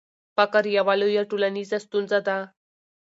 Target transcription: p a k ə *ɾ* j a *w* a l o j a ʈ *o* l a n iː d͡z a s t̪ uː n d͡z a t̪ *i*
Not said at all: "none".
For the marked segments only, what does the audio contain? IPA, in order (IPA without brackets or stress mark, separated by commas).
ɾ, ʋ, u, a